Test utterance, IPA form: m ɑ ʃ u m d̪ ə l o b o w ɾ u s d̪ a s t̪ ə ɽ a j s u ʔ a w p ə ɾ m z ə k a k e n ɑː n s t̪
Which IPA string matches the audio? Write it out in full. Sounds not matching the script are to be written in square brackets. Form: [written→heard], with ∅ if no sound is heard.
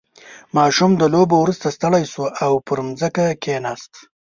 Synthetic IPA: m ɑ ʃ u m d̪ ə l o b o w ɾ u s [d̪→t̪] a s t̪ ə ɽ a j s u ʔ a w p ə ɾ m z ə k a k e n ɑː [n→∅] s t̪